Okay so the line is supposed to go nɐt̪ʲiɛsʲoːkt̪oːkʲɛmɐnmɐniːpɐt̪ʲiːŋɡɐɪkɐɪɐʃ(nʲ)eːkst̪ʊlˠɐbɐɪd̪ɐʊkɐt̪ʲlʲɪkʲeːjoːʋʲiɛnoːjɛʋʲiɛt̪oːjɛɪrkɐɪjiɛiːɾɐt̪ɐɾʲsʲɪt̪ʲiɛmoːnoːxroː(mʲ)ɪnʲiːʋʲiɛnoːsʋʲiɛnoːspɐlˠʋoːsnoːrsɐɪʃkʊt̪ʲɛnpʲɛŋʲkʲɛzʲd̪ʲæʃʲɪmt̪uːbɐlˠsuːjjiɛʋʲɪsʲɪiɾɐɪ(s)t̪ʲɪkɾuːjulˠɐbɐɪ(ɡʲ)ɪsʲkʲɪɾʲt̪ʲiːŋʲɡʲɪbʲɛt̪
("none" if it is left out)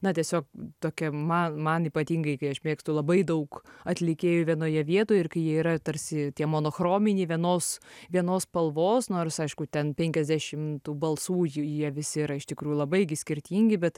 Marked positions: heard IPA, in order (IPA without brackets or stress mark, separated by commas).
mʲ, mʲ, ʃ, ɡʲ